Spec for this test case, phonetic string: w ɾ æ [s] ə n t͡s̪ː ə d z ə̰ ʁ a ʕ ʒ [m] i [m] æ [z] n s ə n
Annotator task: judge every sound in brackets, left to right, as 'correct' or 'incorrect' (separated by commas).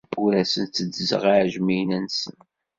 correct, correct, incorrect, incorrect